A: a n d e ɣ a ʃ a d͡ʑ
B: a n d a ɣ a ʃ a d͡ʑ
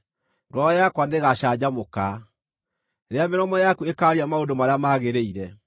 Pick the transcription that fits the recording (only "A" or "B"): A